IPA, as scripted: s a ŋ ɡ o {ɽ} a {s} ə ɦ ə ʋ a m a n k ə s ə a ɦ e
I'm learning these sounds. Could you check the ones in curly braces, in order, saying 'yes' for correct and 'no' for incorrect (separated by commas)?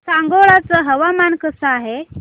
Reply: no, no